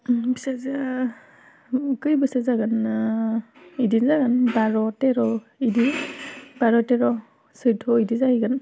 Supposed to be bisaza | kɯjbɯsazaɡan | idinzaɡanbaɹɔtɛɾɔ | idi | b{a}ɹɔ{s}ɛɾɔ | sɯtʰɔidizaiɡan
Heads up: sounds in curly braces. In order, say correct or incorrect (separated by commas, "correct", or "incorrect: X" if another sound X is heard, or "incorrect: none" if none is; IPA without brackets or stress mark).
correct, incorrect: t